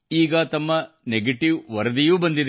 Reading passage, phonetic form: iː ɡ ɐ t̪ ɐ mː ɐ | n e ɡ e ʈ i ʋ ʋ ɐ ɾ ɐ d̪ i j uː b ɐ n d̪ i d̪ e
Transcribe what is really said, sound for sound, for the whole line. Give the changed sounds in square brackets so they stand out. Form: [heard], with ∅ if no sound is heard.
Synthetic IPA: iː ɡ ɐ t̪ ɐ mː ɐ | n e ɡ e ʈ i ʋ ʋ ɐ ɾ ɐ d̪ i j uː b ɐ n d̪ i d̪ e